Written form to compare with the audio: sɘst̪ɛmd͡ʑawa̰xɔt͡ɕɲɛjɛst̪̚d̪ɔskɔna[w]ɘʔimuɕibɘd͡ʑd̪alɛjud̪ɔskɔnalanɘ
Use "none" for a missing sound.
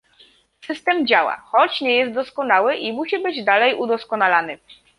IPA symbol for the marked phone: w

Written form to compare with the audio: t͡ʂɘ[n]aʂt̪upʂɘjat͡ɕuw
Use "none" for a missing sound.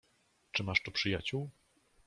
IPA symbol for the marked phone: m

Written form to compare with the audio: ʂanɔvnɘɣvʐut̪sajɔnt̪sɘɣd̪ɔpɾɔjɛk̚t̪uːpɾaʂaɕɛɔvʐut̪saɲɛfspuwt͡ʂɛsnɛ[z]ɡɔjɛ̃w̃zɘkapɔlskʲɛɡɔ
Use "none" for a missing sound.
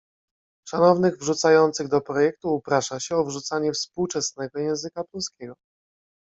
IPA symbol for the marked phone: none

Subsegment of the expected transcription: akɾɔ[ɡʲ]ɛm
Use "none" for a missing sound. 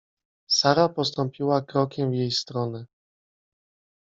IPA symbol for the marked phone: kʲ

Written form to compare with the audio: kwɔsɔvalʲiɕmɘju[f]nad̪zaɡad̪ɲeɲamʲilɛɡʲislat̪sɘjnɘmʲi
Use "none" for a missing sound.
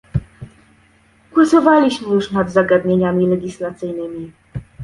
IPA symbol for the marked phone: ʂ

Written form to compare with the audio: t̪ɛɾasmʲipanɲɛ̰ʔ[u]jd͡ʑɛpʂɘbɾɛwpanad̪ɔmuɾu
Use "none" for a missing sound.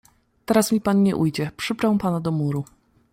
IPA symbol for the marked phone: u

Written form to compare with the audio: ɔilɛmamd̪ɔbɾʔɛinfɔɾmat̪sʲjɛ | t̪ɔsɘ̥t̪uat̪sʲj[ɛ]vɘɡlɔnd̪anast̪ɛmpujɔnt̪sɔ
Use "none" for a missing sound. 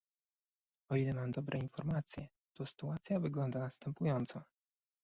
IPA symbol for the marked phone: a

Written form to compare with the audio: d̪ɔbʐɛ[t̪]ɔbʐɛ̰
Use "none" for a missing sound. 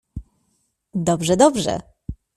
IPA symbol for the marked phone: d̪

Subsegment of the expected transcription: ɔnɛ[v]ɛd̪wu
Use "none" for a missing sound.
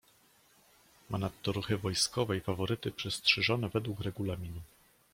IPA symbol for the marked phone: v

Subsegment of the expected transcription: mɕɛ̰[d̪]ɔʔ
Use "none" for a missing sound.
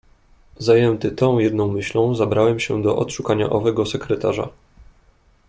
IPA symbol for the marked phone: d̪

